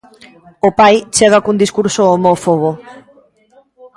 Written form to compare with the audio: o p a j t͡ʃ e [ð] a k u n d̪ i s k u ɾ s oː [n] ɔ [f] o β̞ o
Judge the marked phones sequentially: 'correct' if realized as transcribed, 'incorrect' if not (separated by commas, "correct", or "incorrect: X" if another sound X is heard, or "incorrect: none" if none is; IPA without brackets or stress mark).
incorrect: ɣ, incorrect: m, correct